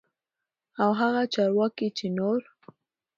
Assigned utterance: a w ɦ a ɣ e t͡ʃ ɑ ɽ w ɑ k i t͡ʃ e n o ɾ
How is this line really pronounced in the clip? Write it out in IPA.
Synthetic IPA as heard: a w ɦ a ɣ a t͡ʃ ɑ ɾ w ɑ k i t͡ʃ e n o ɾ